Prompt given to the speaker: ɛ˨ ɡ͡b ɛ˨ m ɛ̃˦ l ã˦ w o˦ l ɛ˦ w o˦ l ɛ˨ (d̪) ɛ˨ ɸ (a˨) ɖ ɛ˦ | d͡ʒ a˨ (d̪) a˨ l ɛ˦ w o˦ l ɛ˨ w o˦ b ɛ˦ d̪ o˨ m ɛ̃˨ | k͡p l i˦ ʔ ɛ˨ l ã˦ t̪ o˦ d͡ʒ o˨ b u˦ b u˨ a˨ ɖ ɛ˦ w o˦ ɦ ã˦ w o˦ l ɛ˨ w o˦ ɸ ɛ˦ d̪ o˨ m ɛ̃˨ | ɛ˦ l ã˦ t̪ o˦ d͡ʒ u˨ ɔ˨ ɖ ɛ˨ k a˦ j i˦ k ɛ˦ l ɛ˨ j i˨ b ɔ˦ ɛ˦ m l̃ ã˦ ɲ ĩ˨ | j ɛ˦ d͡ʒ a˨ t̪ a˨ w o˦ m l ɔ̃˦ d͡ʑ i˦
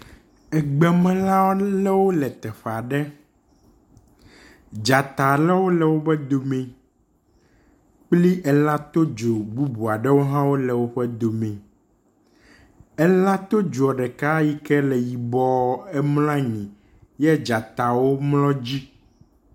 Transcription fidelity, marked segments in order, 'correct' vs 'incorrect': incorrect: t̪, correct, incorrect: t̪

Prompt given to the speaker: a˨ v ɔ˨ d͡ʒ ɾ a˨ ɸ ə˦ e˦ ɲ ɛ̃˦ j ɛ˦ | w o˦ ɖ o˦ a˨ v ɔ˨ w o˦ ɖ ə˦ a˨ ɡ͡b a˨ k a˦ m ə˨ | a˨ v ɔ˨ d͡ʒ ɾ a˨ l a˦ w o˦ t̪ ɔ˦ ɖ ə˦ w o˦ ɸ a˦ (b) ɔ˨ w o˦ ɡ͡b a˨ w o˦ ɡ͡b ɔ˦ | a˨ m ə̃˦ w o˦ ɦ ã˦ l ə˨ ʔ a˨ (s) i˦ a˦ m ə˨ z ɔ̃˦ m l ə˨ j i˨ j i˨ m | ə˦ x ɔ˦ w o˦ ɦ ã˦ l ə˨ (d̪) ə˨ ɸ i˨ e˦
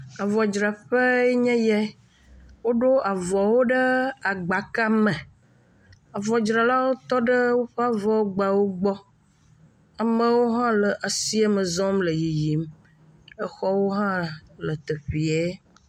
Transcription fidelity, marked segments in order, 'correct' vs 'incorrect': incorrect: v, correct, incorrect: t̪

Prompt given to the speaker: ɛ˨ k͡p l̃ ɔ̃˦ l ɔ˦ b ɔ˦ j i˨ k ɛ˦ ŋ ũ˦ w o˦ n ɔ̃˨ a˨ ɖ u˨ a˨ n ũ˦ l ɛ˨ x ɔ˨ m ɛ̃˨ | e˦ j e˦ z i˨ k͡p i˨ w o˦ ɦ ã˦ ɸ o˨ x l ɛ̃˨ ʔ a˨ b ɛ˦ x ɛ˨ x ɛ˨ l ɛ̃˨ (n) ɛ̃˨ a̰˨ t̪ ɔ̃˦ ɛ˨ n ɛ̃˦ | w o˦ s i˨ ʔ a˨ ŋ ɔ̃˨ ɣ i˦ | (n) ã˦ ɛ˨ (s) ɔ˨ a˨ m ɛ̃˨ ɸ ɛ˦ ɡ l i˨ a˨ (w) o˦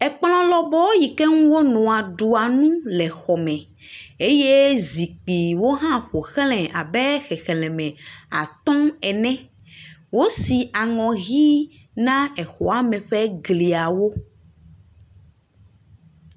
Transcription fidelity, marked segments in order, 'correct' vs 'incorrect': incorrect: m, correct, incorrect: x, correct

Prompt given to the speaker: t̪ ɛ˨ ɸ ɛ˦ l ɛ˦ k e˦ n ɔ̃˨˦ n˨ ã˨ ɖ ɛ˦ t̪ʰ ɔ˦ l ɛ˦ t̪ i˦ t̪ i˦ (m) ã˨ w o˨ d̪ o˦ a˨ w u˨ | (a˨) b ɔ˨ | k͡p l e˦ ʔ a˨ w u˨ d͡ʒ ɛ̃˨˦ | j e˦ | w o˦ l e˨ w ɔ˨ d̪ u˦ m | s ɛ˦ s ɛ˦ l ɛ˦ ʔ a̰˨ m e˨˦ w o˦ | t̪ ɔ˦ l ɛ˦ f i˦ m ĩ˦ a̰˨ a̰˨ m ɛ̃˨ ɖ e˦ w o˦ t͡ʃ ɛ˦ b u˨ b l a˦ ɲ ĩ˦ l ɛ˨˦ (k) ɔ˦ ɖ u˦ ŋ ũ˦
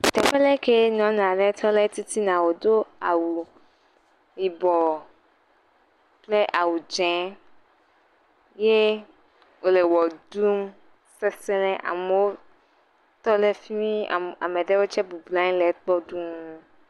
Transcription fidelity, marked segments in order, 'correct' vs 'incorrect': incorrect: n, incorrect: i˨, incorrect: k͡p

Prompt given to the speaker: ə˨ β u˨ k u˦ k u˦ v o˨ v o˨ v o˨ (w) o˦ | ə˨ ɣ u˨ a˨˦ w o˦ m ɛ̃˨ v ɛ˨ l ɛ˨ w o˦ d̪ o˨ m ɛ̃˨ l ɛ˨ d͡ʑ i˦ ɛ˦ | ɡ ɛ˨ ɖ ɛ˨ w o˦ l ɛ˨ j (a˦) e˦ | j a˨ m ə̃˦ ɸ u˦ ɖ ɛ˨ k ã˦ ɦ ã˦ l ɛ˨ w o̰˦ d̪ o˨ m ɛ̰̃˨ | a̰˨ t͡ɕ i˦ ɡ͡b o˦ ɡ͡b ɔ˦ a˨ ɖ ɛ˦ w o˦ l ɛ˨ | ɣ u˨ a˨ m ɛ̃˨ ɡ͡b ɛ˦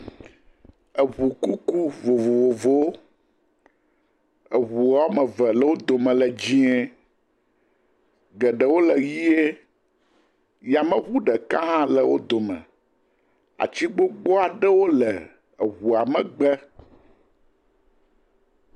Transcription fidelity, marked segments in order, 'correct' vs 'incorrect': incorrect: v, incorrect: i˦

